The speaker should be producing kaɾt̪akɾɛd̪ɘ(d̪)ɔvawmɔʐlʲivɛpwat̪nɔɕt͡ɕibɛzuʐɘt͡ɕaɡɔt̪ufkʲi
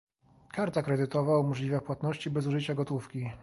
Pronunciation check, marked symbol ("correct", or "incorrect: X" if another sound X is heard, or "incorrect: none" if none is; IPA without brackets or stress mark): incorrect: t̪